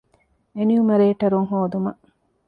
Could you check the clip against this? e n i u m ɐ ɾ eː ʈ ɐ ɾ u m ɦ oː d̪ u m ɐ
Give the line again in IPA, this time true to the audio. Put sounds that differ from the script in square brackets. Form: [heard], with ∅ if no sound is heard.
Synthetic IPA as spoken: e n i u m ɐ ɾ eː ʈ ɐ ɾ u [ŋ] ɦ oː d̪ u m ɐ